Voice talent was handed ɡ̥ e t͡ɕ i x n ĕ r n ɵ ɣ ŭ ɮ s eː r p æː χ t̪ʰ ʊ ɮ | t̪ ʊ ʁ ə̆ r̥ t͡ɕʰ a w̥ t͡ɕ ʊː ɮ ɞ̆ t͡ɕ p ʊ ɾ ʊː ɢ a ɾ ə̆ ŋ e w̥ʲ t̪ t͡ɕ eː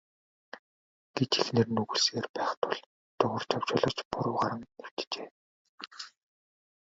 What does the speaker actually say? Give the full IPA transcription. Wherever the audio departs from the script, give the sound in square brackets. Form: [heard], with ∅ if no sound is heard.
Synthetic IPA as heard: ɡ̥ e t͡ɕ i x n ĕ r n ɵ ɣ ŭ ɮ s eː r p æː χ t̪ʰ ʊ ɮ | t̪ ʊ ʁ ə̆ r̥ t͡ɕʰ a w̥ t͡ɕ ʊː ɮ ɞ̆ t͡ɕ p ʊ ɾ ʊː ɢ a ɾ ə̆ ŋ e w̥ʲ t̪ t͡ɕ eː